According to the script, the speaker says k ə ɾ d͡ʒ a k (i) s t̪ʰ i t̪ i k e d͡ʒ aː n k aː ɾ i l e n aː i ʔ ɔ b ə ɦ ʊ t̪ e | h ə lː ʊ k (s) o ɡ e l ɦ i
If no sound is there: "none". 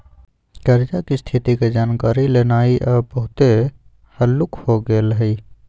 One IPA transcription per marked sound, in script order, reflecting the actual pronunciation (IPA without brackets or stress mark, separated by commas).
i, h